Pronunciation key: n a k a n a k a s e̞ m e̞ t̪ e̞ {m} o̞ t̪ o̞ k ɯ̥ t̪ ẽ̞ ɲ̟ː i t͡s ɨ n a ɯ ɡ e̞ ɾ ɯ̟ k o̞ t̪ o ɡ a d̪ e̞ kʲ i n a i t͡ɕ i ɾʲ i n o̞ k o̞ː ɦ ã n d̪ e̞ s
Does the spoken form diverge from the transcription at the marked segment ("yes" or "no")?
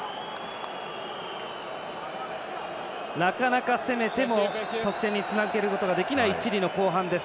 no